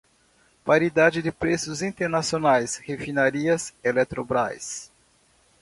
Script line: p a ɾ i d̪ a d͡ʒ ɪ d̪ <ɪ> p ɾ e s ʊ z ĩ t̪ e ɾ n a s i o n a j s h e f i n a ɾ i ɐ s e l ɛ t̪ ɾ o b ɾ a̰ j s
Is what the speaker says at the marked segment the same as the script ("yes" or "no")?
yes